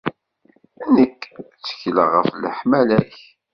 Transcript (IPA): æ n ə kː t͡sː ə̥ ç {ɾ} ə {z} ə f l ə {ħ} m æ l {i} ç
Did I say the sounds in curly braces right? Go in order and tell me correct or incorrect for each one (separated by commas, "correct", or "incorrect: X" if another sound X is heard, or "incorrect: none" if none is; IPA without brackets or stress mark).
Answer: incorrect: l, incorrect: ʁ, correct, incorrect: æ